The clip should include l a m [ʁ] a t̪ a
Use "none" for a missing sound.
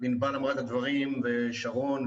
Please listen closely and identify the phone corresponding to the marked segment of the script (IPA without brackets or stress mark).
ʁ